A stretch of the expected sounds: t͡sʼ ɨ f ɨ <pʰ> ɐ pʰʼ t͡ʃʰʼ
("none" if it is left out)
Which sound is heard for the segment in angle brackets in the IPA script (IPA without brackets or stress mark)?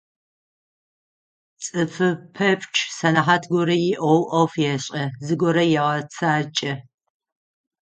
pʰ